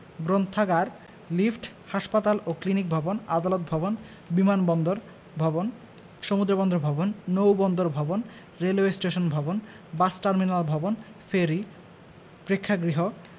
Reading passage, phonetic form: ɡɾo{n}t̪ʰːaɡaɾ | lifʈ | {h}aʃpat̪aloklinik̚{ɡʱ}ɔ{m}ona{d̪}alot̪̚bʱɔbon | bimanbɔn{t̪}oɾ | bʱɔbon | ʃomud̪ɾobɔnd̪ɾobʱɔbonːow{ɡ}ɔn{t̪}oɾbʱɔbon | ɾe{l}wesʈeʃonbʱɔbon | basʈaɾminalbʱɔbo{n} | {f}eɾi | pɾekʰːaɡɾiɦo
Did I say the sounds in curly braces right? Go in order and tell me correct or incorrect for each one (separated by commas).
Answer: correct, correct, incorrect, incorrect, correct, incorrect, incorrect, incorrect, correct, correct, correct